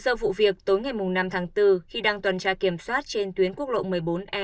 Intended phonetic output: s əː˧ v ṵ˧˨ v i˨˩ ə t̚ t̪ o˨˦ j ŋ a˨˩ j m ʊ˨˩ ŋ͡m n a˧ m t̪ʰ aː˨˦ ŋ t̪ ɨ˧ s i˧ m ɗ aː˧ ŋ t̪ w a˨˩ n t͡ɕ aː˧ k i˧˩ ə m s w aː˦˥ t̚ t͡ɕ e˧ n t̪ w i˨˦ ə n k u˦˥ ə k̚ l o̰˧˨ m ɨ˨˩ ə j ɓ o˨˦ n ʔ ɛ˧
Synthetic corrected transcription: s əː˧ v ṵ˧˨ v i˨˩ ə k̚ t̪ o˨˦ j ŋ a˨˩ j m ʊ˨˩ ŋ͡m n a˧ m t̪ʰ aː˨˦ ŋ t̪ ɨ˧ x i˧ ɗ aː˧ ŋ t̪ w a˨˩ n t͡ɕ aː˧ k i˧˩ ə m s w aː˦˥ t̚ t͡ɕ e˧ n t̪ w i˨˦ ə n k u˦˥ ə k̚ l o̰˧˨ m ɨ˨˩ ə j ɓ o˨˦ n ʔ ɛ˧